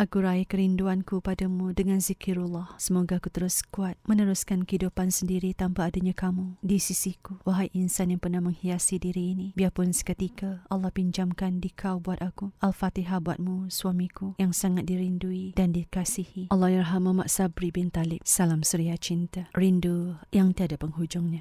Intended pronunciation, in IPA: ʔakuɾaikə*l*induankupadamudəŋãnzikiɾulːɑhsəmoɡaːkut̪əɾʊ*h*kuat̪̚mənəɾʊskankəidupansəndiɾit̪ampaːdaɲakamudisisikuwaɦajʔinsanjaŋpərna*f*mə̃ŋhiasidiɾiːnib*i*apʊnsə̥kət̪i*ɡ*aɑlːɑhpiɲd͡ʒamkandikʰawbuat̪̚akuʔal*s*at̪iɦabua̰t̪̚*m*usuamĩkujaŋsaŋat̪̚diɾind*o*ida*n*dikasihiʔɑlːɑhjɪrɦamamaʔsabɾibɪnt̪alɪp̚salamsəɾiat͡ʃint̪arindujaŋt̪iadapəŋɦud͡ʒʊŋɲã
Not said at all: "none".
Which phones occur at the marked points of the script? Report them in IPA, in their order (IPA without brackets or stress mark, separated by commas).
ɾ, s, h, i, k, f, m, u, n